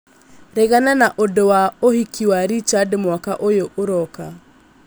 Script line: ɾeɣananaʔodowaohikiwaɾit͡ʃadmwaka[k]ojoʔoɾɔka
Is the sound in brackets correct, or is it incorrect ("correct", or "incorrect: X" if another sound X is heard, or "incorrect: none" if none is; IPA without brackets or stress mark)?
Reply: incorrect: ʔ